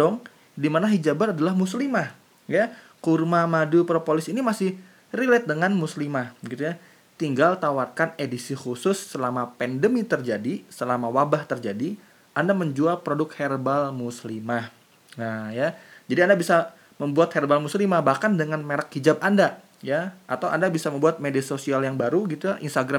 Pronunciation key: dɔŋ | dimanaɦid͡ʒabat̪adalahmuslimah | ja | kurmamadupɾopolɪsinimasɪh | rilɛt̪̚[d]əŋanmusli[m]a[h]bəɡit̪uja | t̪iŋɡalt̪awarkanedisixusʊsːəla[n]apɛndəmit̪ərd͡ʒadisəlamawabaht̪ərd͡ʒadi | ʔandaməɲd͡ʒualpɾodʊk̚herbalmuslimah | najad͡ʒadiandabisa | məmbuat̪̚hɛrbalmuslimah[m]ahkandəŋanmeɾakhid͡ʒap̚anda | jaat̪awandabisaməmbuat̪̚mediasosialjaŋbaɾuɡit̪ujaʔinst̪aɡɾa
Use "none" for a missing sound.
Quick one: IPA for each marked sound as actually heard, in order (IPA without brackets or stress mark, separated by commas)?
d, m, h, m, b